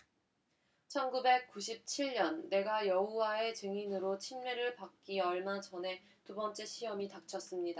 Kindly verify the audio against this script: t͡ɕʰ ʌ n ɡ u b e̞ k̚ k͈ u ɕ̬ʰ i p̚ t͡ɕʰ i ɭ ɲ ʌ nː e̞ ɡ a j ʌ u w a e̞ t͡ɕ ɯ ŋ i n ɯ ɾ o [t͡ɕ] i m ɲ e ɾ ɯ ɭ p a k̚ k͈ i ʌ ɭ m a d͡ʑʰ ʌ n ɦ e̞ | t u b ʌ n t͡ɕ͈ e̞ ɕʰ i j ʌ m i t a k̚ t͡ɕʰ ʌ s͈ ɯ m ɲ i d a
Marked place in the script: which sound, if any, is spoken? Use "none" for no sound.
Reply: t͡ɕʰ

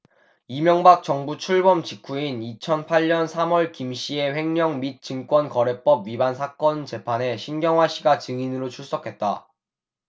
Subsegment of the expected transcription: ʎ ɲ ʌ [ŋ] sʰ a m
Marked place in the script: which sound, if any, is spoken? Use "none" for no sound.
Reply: n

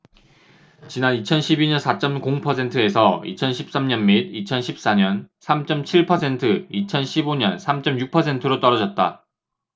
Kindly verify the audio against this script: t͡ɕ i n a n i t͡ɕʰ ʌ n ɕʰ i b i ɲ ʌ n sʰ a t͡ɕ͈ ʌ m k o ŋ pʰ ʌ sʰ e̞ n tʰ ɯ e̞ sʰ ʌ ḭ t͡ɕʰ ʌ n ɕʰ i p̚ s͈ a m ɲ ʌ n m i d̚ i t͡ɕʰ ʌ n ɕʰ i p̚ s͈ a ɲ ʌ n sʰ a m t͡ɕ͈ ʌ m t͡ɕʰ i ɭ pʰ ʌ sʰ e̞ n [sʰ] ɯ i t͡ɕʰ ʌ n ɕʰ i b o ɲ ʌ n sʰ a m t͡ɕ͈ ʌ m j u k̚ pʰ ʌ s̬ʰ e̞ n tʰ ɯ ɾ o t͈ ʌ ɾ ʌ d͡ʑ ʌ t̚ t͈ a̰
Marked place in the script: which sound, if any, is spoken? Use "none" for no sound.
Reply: tʰ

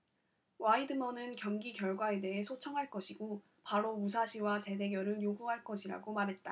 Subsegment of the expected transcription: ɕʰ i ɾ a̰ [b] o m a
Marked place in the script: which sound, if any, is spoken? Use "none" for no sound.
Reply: ɡ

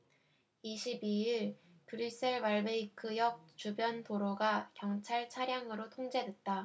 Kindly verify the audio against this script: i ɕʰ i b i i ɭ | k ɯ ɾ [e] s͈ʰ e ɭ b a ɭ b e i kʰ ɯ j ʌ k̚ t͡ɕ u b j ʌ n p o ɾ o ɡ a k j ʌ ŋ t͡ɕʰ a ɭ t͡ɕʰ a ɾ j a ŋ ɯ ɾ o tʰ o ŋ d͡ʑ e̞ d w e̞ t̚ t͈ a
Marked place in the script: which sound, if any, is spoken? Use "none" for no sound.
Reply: i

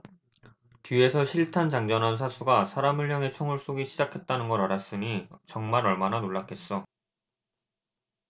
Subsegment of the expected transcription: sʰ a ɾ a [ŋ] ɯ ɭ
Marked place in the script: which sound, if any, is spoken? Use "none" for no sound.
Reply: m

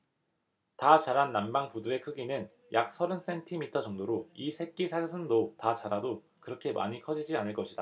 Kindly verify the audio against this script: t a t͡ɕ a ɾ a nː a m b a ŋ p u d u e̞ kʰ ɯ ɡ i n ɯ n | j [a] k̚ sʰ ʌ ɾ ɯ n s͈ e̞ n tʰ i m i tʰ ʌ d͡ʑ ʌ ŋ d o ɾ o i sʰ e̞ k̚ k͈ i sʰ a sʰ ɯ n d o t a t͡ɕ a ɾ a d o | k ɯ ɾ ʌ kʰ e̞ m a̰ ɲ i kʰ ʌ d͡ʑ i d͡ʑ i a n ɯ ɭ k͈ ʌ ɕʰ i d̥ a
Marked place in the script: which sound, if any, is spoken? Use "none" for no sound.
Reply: a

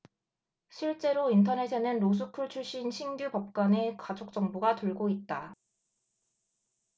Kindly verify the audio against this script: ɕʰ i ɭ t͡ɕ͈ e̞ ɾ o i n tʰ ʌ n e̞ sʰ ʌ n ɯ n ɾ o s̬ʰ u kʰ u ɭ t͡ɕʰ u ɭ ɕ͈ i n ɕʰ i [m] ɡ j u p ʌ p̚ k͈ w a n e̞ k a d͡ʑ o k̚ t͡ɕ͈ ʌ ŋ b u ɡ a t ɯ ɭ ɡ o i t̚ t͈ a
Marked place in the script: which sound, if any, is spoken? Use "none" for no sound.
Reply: ŋ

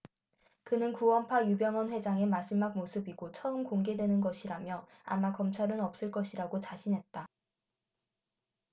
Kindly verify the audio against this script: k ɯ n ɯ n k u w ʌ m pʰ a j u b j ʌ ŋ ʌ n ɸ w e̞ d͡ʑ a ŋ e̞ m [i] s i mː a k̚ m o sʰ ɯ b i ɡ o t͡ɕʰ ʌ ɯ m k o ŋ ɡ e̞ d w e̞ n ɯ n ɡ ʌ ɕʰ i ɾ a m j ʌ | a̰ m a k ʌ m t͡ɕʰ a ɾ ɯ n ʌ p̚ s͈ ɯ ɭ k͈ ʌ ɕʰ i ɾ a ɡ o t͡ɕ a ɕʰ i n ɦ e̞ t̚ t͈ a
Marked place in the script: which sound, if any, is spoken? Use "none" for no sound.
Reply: a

